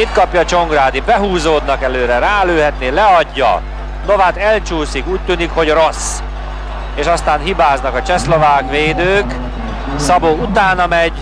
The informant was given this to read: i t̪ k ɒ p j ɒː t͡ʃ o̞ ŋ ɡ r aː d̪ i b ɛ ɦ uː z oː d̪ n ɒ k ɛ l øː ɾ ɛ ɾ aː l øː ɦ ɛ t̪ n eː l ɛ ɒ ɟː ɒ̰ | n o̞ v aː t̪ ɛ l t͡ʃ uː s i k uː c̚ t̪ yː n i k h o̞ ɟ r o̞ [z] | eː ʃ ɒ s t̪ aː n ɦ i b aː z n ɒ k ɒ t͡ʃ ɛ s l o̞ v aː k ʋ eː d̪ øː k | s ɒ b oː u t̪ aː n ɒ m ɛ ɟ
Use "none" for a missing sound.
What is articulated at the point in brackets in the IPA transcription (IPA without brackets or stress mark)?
s